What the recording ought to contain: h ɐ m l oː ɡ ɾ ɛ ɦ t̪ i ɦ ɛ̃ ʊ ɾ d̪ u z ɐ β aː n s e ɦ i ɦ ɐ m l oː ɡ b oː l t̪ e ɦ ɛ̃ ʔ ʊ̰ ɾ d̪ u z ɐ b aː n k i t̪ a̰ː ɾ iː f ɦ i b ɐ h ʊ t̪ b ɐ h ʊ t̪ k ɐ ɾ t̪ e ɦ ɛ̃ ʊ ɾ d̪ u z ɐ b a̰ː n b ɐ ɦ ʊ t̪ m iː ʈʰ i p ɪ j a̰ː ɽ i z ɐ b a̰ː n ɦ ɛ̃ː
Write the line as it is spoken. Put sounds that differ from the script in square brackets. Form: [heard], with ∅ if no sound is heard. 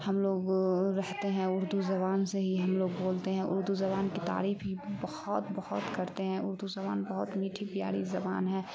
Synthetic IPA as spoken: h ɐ m l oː ɡ ɾ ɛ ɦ t̪ [e] ɦ ɛ̃ ʊ ɾ d̪ u z ɐ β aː n s e ɦ i ɦ ɐ m l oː ɡ b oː l t̪ e ɦ ɛ̃ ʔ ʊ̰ ɾ d̪ u z ɐ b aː n k i t̪ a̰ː ɾ iː f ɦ i b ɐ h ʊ t̪ b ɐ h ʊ t̪ k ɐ ɾ t̪ e ɦ ɛ̃ ʊ ɾ d̪ u z ɐ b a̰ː n b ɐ ɦ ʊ t̪ m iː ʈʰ i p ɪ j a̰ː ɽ i z ɐ b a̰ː n ɦ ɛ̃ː